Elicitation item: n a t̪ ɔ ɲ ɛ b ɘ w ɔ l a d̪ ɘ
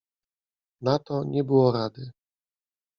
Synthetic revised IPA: n a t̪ ɔ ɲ ɛ b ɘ w ɔ ɾ a d̪ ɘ